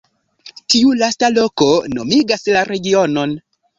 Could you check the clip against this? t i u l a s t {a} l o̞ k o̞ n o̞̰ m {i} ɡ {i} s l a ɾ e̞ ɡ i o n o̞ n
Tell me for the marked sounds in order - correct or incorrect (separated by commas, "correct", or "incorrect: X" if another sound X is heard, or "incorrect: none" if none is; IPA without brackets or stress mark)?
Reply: correct, correct, incorrect: a